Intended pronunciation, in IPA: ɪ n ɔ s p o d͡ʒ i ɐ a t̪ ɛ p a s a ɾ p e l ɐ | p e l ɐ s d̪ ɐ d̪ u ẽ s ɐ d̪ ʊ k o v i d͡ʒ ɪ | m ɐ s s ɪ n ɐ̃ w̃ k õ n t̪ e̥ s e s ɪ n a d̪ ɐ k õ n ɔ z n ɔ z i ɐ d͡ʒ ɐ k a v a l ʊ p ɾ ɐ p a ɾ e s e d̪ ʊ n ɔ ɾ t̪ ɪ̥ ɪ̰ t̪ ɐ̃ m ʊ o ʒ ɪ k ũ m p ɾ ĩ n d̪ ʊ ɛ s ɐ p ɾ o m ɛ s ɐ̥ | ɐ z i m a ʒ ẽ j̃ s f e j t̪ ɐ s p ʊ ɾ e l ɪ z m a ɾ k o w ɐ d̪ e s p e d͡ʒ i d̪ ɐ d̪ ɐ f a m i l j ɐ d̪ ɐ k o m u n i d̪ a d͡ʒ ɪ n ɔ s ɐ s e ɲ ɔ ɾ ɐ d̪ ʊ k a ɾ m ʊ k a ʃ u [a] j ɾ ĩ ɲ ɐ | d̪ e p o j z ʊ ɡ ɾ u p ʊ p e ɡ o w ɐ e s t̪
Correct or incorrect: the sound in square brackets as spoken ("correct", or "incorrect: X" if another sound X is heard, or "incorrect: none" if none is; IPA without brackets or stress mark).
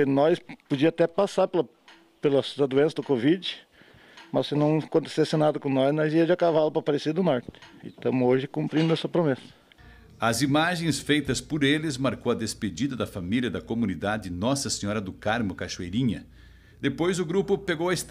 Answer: incorrect: e